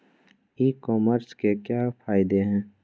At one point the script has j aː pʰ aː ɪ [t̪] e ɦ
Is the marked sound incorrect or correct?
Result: incorrect